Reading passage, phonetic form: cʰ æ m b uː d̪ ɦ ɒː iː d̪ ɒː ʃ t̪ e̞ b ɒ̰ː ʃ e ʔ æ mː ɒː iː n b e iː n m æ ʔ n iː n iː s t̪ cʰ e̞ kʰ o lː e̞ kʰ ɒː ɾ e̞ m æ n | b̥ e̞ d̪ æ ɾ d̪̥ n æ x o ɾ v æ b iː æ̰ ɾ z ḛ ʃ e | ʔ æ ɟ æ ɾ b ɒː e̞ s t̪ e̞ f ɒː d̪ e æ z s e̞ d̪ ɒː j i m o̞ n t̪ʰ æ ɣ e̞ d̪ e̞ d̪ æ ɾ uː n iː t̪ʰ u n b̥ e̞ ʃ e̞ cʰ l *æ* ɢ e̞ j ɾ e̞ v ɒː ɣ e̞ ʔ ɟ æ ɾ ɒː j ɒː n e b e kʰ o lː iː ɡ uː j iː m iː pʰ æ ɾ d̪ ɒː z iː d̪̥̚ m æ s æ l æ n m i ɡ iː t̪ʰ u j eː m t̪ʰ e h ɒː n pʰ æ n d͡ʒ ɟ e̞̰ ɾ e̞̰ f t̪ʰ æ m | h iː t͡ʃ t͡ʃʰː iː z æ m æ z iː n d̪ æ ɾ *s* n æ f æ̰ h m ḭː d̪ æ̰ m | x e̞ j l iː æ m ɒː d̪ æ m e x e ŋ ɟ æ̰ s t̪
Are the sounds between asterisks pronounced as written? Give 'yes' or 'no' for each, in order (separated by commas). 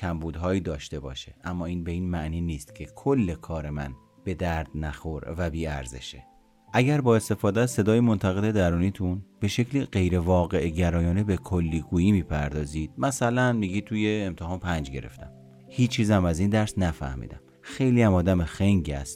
no, yes